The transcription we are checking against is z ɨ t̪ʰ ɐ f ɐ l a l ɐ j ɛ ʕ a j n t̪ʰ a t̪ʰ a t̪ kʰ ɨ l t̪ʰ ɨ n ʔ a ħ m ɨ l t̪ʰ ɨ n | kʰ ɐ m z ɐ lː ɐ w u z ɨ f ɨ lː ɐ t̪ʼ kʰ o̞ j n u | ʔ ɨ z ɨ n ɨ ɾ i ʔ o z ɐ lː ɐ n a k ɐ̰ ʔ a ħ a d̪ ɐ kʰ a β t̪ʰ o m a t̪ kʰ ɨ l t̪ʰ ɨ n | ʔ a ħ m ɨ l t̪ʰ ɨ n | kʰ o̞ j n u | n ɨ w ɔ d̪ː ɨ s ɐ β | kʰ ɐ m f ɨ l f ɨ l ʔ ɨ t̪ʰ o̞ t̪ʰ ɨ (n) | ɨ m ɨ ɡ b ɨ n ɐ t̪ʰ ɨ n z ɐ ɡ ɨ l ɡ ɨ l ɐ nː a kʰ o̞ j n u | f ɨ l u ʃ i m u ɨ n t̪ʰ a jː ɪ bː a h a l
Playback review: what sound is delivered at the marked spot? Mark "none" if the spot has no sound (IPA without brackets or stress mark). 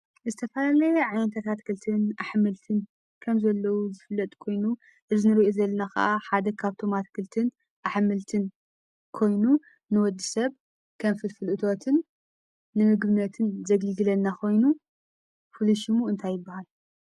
nː